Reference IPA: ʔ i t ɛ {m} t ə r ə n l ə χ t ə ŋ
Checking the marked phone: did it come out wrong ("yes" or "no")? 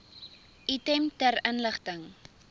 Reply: no